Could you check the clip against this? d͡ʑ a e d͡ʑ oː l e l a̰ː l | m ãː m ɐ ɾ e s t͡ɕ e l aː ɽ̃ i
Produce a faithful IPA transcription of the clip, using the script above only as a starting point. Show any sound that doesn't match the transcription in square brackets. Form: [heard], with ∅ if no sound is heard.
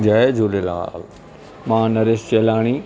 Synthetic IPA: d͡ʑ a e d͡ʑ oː l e l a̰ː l | m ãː [n] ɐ ɾ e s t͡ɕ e l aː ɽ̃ i

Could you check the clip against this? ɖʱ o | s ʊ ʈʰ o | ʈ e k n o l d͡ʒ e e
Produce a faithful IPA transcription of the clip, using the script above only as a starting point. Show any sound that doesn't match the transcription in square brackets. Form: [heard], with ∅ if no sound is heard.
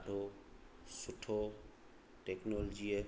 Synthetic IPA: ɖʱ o | s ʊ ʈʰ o | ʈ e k n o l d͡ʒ [i] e

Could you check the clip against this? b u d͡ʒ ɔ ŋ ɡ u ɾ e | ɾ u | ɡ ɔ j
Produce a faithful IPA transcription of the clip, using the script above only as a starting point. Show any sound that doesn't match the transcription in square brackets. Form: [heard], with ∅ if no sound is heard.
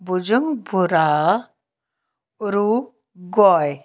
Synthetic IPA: b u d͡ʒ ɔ ŋ [b] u ɾ [a] | ɾ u | ɡ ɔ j

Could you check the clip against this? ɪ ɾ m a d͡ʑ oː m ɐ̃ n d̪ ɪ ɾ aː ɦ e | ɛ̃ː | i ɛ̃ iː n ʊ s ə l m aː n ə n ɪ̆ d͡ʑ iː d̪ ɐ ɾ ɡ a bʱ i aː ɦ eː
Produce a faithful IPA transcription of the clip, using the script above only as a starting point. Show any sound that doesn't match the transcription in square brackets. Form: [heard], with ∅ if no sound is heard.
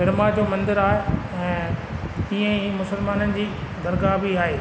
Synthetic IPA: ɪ ɾ m a d͡ʑ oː m ɐ̃ n d̪ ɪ ɾ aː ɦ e | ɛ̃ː | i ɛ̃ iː [m] ʊ s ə l m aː n ə n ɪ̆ d͡ʑ iː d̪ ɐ ɾ ɡ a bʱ i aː ɦ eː

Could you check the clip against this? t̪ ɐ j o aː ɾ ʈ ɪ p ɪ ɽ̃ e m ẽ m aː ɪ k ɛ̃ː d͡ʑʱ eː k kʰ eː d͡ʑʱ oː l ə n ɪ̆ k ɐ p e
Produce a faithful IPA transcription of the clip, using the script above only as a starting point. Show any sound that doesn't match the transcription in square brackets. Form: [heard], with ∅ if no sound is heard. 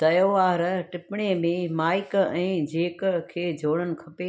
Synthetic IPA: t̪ ɐ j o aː ɾ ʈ ɪ p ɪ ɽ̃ e m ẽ m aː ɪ k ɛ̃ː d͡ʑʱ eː k kʰ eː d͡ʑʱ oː [ɽ] ə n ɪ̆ [kʰ] ɐ p e

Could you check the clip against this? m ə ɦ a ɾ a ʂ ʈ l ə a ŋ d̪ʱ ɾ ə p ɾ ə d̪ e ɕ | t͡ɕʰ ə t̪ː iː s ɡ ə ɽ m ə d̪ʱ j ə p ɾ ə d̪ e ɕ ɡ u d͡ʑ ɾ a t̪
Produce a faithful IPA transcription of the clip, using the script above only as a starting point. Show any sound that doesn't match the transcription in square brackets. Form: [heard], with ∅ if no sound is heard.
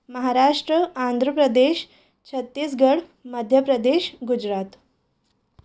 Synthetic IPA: m ə ɦ a ɾ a ʂ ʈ [ɾ] ə a [n] d̪ʱ ɾ ə p ɾ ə d̪ e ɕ | t͡ɕʰ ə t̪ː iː s ɡ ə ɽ m ə d̪ʱ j ə p ɾ ə d̪ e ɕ ɡ u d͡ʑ ɾ a t̪

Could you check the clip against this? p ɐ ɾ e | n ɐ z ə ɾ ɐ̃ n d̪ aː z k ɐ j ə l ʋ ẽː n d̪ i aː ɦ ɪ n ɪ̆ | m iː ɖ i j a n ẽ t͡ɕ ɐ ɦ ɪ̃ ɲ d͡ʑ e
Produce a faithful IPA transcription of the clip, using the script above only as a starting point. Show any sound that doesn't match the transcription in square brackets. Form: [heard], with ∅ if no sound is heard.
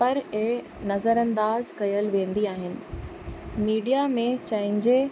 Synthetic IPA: p ɐ ɾ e | n ɐ z ə ɾ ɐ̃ n d̪ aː z k ɐ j ə l ʋ ẽː n d̪ i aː ɦ ɪ n ɪ̆ | m iː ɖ i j a [m] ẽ t͡ɕ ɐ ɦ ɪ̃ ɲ d͡ʑ e

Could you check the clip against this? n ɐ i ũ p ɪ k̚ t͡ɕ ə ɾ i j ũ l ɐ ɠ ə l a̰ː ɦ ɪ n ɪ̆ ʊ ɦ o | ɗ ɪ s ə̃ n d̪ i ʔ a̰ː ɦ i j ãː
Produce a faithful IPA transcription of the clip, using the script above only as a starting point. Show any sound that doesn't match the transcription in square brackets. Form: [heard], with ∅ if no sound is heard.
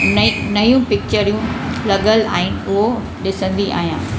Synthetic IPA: n ɐ [j] ũ p ɪ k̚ t͡ɕ ə ɾ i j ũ l ɐ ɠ ə l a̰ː ɦ ɪ n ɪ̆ ʊ ɦ o | ɗ ɪ s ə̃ n d̪ i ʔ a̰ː ɦ i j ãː

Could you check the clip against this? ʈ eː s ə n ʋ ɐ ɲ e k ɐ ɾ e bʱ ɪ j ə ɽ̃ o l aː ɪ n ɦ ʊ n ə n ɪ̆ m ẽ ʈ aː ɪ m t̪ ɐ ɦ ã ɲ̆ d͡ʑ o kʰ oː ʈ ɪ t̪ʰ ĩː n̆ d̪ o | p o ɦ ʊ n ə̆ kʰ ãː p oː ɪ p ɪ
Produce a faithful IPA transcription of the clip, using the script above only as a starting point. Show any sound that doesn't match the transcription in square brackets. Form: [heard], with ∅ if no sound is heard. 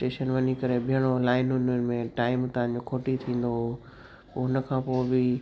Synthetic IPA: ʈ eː [ʃ] ə n ʋ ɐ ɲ [i] k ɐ ɾ e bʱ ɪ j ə ɽ̃ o l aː ɪ n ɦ ʊ n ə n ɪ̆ m ẽ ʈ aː ɪ m t̪ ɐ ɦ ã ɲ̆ d͡ʑ o kʰ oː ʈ [i] t̪ʰ ĩː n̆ d̪ o | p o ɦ ʊ n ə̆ kʰ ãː p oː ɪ [b] ɪ

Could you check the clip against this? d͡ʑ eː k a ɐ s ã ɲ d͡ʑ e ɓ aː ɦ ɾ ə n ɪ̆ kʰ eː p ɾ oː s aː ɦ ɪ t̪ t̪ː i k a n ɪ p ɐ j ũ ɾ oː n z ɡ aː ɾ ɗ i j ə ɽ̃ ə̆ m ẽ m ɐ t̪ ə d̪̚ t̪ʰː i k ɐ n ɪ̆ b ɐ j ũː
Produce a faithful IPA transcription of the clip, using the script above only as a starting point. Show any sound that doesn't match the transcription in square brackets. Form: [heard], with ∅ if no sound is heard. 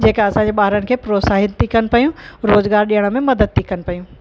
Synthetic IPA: d͡ʑ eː k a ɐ s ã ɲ d͡ʑ e ɓ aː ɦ ɾ ə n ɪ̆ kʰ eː p ɾ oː s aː ɦ ɪ t̪ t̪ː i k [ɐ] n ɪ p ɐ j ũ ɾ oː [∅] z ɡ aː ɾ ɗ i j ə ɽ̃ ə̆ m ẽ m ɐ [d̪] ə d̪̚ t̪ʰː i k ɐ n ɪ̆ [p] ɐ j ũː

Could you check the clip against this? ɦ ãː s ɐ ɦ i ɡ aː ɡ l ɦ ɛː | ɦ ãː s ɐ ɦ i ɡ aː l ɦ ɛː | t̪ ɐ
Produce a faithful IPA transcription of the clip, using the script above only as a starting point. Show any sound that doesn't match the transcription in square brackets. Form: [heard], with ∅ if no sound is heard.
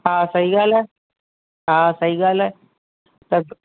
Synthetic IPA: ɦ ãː s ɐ ɦ i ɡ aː [∅] l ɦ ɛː | ɦ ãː s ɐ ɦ i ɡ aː l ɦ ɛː | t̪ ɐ

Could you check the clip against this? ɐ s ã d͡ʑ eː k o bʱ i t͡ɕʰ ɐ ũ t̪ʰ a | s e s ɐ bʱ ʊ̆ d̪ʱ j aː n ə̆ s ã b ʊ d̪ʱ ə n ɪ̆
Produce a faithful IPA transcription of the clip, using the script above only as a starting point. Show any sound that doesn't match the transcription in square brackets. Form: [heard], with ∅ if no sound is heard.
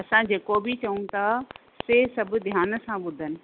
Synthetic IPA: ɐ s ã d͡ʑ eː k o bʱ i [t͡ɕ] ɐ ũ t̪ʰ a | s e s ɐ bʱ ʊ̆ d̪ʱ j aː n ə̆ s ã [ɓ] ʊ d̪ʱ ə n ɪ̆

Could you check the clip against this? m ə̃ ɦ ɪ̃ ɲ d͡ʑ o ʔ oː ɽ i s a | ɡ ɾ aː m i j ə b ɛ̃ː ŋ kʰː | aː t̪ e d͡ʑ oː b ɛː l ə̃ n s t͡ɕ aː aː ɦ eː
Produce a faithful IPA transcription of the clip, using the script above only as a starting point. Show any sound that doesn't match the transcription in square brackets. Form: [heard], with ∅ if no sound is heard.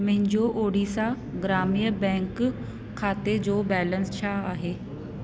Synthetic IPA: m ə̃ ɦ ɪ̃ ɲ d͡ʑ o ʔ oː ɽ i s a | ɡ ɾ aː m i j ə b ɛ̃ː ŋ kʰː | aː t̪ e d͡ʑ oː b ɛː l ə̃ n s [t͡ɕʰ] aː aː ɦ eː

